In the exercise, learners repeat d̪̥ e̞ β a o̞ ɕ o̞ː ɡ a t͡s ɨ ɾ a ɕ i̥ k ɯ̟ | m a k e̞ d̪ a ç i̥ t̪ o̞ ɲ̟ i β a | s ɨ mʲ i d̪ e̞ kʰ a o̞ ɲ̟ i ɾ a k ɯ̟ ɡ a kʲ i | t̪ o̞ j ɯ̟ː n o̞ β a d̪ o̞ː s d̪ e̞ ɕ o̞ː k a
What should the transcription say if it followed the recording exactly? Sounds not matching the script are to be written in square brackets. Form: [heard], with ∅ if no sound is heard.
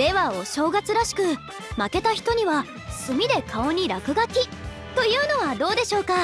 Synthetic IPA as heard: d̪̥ e̞ β a o̞ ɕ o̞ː ɡ a t͡s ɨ ɾ a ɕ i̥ k ɯ̟ | m a k e̞ [t̪] a ç i̥ t̪ o̞ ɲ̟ i β a | s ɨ mʲ i d̪ e̞ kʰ a o̞ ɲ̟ i ɾ a k ɯ̟ ɡ a kʲ i | t̪ o̞ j ɯ̟ː n o̞ β a d̪ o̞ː [∅] d̪ e̞ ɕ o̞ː k a